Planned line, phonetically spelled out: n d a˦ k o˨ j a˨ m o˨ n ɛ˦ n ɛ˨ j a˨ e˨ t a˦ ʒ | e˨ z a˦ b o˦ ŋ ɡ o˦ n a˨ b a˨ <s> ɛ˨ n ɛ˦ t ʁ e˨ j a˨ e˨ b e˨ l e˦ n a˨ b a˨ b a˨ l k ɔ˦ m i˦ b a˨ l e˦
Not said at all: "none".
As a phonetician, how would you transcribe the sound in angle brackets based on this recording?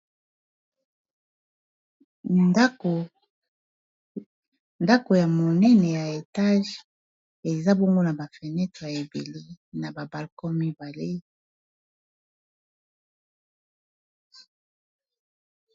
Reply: f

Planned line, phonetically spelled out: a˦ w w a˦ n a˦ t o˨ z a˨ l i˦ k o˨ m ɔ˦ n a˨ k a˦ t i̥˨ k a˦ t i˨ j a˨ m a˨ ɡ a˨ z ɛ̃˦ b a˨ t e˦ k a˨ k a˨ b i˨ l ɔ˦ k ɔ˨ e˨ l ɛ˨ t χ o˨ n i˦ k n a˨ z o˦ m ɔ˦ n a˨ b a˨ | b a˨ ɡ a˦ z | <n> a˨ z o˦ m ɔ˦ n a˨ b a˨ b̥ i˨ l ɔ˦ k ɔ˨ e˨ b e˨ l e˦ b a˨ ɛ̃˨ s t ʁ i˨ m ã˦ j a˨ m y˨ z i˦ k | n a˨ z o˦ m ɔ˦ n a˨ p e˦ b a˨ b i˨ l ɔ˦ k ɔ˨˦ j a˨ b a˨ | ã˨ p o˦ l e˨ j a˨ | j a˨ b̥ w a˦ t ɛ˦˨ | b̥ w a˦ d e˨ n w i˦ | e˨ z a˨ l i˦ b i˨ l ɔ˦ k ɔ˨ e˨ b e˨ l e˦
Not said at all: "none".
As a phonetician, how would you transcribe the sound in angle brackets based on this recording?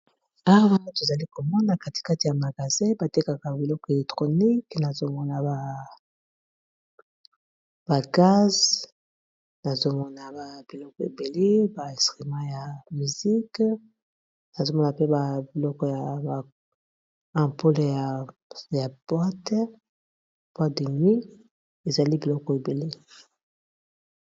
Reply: n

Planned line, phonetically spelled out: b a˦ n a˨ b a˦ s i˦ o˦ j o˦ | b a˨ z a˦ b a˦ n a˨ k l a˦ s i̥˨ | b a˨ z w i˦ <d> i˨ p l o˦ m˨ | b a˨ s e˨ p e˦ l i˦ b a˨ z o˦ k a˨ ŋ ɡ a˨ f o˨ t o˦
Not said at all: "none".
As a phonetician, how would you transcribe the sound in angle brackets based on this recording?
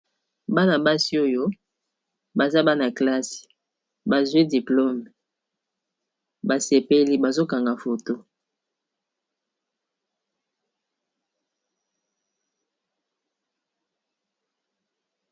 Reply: d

